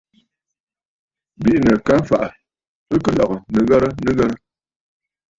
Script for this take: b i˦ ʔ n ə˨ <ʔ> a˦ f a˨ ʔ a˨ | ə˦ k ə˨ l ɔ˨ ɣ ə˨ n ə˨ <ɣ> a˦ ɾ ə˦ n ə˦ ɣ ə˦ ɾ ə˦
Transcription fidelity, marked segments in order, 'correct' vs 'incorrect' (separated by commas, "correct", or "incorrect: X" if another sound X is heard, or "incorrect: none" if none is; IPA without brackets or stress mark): incorrect: k, correct